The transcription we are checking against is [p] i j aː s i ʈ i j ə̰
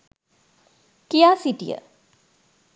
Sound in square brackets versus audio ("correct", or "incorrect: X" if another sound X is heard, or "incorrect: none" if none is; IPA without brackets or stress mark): incorrect: k